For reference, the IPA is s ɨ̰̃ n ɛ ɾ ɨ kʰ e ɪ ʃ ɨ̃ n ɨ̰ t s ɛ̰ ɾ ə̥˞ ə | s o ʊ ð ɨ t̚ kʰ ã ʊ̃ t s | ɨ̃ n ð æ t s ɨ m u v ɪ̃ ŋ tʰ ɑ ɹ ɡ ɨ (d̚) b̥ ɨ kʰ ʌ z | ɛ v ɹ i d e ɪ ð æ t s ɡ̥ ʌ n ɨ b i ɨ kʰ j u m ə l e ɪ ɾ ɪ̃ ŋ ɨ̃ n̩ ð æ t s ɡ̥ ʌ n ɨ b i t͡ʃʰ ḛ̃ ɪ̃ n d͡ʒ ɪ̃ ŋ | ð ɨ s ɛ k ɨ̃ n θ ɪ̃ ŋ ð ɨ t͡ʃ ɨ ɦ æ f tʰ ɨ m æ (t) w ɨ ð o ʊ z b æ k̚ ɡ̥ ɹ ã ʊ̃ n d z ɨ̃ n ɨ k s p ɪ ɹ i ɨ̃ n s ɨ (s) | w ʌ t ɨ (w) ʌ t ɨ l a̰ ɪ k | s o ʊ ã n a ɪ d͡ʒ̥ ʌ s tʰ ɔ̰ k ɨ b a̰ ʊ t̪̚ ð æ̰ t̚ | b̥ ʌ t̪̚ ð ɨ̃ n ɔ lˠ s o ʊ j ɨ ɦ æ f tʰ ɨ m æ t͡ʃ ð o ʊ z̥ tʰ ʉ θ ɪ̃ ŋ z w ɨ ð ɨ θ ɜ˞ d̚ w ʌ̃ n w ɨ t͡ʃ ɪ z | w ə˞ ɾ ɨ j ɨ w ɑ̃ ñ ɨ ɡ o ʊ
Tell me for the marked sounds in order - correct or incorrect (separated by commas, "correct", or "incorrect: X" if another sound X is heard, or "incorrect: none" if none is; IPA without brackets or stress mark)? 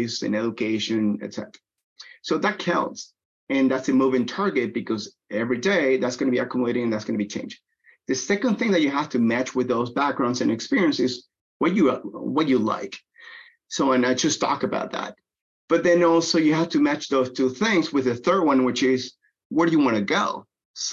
incorrect: t̚, incorrect: t͡ʃ, incorrect: z, correct